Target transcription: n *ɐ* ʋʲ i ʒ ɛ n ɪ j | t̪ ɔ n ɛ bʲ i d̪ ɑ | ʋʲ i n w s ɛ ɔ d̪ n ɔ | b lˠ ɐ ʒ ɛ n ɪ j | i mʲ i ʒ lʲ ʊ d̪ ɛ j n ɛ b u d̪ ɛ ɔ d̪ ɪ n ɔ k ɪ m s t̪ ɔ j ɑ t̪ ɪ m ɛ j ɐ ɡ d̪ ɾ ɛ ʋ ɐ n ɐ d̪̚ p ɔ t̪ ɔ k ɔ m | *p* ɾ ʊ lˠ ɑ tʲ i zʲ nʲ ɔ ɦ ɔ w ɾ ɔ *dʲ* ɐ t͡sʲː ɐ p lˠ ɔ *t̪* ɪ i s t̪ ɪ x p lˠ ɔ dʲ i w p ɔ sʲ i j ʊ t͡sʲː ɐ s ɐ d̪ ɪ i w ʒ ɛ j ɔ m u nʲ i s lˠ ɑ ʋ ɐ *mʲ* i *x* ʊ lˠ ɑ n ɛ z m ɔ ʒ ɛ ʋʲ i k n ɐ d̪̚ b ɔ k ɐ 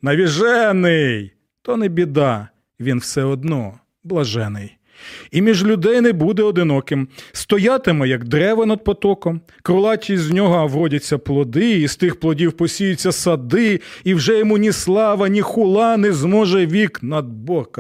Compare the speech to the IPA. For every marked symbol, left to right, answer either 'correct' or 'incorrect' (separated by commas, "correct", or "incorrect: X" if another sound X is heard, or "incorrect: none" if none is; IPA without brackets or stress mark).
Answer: correct, incorrect: k, correct, incorrect: d̪, incorrect: nʲ, correct